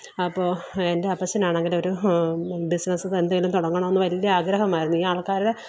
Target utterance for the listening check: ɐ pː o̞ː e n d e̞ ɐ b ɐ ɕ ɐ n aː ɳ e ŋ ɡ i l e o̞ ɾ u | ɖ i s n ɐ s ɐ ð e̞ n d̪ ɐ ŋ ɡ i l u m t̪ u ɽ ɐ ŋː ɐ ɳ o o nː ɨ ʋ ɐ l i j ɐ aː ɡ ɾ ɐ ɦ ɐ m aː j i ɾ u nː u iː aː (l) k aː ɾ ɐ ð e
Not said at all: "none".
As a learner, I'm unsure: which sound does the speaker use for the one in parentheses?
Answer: ɭ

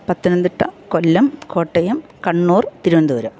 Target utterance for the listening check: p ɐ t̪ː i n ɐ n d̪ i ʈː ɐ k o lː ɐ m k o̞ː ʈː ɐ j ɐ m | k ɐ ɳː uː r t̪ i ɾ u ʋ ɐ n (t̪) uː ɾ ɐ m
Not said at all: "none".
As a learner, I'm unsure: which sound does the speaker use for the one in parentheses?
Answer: d̪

